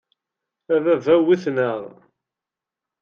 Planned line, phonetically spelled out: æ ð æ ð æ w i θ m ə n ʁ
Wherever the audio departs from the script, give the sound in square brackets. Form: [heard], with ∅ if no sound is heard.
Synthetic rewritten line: æ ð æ [v] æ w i θ [n] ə [∅] ʁ